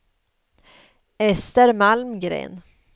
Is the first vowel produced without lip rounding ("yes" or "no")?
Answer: yes